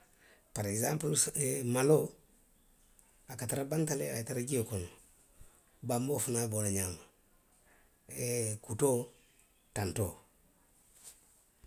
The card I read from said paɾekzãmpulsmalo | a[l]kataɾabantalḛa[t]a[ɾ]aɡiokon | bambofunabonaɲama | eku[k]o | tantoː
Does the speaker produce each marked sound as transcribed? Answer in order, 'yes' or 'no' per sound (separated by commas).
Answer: no, yes, yes, no